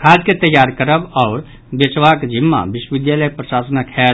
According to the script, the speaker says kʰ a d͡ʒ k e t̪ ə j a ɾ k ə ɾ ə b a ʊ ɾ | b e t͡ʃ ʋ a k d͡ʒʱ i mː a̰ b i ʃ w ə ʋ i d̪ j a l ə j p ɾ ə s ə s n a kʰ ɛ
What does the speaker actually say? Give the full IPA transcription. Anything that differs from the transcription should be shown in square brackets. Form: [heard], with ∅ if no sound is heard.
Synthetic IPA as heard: kʰ a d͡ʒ k e t̪ ə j a ɾ k ə ɾ ə b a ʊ ɾ | b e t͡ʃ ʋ a k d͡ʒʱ i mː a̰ b i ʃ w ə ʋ i d̪ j a l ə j p ɾ ə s [a] s n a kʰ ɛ